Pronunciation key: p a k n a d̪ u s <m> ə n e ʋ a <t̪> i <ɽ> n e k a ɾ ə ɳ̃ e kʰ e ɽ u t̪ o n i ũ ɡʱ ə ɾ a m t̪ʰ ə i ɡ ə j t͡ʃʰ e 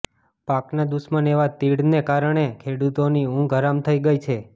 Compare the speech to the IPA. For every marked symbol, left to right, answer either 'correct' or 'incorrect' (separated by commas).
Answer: correct, correct, correct